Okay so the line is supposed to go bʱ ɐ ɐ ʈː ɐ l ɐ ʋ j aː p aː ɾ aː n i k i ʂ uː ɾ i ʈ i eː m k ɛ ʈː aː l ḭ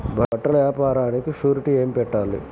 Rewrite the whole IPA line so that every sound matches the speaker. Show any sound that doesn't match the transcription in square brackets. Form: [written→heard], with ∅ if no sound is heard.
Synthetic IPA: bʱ ɐ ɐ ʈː ɐ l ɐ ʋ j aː p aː ɾ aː n i k i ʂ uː ɾ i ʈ i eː m [k→p] ɛ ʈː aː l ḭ

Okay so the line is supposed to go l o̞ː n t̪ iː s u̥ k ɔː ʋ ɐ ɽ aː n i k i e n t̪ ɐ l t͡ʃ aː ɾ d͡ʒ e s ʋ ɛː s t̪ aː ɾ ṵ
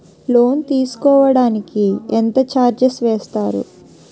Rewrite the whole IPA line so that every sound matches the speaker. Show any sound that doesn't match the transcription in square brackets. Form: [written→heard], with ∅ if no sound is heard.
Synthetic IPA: l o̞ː n t̪ iː s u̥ k ɔː ʋ ɐ ɽ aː n i k i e n t̪ ɐ [l→∅] t͡ʃ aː ɾ d͡ʒ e s ʋ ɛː s t̪ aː ɾ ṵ

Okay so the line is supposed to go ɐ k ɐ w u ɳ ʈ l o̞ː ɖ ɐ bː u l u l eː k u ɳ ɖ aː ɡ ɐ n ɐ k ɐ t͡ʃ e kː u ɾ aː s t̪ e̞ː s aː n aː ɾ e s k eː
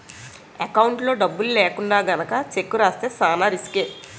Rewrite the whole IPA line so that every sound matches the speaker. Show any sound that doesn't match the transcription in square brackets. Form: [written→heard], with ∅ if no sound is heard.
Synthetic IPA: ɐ k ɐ w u ɳ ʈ l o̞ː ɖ ɐ bː u l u l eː k u ɳ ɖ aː ɡ ɐ n ɐ k ɐ t͡ʃ e kː u ɾ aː s t̪ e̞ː s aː n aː ɾ [e→i] s k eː

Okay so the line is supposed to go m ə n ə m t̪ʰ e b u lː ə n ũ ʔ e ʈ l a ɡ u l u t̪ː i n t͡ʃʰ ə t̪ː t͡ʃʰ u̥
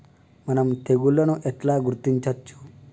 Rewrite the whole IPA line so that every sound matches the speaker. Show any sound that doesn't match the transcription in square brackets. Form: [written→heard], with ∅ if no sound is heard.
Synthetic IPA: m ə n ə m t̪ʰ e [b→ɡ] u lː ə n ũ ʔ e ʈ l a ɡ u [l→ɾ] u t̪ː i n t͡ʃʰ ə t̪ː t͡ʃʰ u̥

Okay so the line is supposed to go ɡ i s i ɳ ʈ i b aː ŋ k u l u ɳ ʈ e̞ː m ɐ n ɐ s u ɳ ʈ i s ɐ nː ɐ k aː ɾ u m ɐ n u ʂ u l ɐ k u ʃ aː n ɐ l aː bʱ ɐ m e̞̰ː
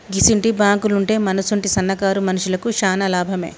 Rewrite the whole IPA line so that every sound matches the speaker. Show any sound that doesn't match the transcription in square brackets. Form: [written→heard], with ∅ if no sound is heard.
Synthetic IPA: ɡ i s i ɳ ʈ i b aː ŋ k u l u ɳ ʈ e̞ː m ɐ n ɐ s u ɳ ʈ i s ɐ nː ɐ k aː ɾ u m ɐ n u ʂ u l ɐ k u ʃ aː n ɐ l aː bʱ ɐ m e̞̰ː

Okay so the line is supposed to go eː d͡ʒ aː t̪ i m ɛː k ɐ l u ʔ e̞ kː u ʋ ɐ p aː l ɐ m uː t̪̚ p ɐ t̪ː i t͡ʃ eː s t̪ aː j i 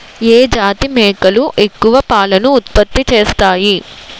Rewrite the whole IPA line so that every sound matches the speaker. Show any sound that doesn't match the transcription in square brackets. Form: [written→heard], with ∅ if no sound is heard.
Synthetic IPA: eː d͡ʒ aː t̪ i m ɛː k ɐ l u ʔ e̞ kː u ʋ ɐ p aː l ɐ [m→n] uː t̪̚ p ɐ t̪ː i t͡ʃ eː s t̪ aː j i

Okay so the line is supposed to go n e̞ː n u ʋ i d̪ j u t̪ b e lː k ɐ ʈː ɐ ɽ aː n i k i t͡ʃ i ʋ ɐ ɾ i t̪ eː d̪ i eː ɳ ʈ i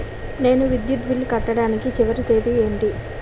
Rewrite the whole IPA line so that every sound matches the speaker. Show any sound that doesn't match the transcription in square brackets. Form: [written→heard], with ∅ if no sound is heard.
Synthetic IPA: n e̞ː n u ʋ i d̪ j u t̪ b [e→i] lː k ɐ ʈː ɐ ɽ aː n i k i t͡ʃ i ʋ ɐ ɾ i t̪ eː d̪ i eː ɳ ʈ i

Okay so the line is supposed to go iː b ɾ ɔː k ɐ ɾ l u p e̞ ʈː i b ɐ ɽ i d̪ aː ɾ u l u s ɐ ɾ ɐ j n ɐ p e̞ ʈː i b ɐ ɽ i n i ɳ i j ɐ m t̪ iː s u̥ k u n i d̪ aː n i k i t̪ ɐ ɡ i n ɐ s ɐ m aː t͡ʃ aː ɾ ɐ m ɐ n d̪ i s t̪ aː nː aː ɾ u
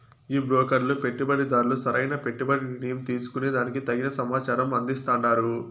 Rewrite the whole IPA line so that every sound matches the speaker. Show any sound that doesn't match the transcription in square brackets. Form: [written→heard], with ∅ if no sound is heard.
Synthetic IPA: iː b ɾ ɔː k ɐ ɾ l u p e̞ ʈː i b ɐ ɽ i d̪ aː ɾ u l u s ɐ ɾ ɐ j n ɐ p e̞ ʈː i b ɐ ɽ i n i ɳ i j ɐ m t̪ iː s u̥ k u n i d̪ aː n i k i t̪ ɐ ɡ i n ɐ s ɐ m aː t͡ʃ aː ɾ ɐ m ɐ n d̪ i s t̪ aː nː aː ɾ u

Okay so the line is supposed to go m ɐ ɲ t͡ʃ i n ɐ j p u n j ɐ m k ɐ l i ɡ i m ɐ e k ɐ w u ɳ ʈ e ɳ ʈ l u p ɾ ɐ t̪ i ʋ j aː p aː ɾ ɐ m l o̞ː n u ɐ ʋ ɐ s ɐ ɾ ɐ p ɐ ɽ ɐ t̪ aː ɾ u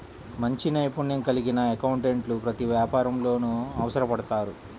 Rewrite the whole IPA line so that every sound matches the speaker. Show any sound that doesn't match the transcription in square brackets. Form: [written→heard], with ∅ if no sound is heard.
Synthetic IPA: m ɐ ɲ t͡ʃ i n ɐ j p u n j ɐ [m→ŋ] k ɐ l i ɡ i [m→n] ɐ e k ɐ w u ɳ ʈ e ɳ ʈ l u p ɾ ɐ t̪ i ʋ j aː p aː ɾ ɐ m l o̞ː n u ɐ ʋ ɐ s ɐ ɾ ɐ p ɐ ɽ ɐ t̪ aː ɾ u

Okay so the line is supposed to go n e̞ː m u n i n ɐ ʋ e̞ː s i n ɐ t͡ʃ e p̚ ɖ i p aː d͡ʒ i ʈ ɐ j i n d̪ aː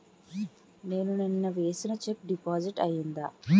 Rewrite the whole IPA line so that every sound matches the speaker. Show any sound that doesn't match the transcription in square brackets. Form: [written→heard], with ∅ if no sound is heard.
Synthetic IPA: n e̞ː [m→n] u n i [n→nː] ɐ ʋ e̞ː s i n ɐ t͡ʃ e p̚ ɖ i p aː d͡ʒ i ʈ ɐ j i n d̪ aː

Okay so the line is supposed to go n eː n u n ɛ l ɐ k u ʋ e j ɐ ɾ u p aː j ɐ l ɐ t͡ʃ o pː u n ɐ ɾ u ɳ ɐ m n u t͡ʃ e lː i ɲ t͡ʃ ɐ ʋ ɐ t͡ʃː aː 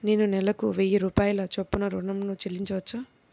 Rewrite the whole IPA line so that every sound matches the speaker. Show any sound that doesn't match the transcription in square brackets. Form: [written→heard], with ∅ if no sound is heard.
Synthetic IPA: n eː n u n ɛ l ɐ k u ʋ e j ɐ ɾ [u→uː] p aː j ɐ l ɐ t͡ʃ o pː u n ɐ ɾ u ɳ ɐ m n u t͡ʃ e lː i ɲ t͡ʃ ɐ ʋ ɐ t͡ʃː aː

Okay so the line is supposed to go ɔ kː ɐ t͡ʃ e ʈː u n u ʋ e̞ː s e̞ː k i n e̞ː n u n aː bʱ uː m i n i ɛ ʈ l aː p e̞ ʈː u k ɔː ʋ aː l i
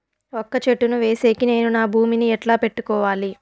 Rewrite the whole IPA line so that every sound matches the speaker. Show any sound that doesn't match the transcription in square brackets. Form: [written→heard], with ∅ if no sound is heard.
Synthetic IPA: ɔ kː ɐ t͡ʃ e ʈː u n u ʋ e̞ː s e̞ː k i n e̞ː n u n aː bʱ uː m i n i ɛ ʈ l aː p e̞ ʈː u k ɔː ʋ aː l i

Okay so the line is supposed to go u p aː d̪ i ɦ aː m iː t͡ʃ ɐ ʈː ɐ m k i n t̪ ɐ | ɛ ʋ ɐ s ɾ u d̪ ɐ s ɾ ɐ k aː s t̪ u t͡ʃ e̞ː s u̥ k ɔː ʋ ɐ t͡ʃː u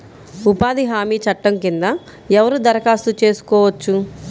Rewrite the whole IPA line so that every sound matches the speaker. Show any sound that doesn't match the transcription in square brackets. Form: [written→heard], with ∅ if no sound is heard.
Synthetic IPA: u p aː d̪ i ɦ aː m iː t͡ʃ ɐ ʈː ɐ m k i n [t̪→d̪] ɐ | ɛ ʋ ɐ [s→∅] ɾ u d̪ ɐ [s→∅] ɾ ɐ k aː s t̪ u t͡ʃ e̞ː s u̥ k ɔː ʋ ɐ t͡ʃː u

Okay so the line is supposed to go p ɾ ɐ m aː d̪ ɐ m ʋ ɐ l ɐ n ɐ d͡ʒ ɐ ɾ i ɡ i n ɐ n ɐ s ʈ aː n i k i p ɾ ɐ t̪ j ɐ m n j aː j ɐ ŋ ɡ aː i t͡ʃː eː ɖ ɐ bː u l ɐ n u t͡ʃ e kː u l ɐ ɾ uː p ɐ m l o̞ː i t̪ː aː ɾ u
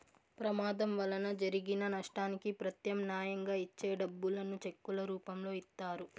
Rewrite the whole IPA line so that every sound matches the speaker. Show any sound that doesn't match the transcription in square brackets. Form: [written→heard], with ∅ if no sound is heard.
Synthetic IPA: p ɾ ɐ m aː d̪ ɐ m ʋ ɐ l ɐ n ɐ d͡ʒ ɐ ɾ i ɡ i n ɐ n ɐ [s→ʂ] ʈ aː n i k i p ɾ ɐ t̪ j ɐ m n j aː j ɐ ŋ ɡ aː i t͡ʃː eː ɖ ɐ bː u l ɐ n u t͡ʃ e kː u l ɐ ɾ uː p ɐ m l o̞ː i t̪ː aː ɾ u

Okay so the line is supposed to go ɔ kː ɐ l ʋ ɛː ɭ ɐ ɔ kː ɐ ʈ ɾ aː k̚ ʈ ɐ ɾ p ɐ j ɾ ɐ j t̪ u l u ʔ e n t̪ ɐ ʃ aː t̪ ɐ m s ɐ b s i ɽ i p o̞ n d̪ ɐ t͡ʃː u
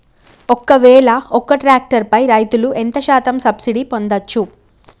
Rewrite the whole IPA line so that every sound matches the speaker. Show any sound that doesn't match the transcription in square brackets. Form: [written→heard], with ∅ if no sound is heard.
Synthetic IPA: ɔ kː ɐ [l→∅] ʋ ɛː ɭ ɐ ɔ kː ɐ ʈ ɾ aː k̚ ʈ ɐ ɾ p ɐ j ɾ ɐ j t̪ u l u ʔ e n t̪ ɐ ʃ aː t̪ ɐ m s ɐ b s i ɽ i p o̞ n d̪ ɐ t͡ʃː u

